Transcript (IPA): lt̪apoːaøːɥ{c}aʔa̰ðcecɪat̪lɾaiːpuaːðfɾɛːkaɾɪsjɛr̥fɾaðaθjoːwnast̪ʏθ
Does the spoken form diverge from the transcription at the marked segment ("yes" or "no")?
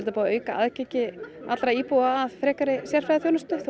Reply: yes